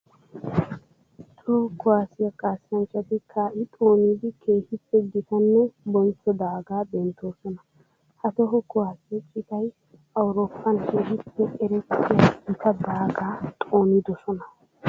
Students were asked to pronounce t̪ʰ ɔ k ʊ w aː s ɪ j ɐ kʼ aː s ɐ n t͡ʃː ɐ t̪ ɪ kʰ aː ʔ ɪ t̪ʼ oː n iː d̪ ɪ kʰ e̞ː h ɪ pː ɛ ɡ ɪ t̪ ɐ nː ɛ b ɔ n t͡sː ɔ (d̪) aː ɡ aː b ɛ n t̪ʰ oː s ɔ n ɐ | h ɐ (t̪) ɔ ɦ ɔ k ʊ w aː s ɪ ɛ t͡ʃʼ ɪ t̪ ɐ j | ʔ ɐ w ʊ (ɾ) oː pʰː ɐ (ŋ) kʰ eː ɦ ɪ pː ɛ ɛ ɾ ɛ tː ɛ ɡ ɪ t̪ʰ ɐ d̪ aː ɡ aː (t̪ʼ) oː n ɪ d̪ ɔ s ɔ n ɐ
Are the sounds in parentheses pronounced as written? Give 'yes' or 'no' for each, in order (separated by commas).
yes, yes, yes, no, yes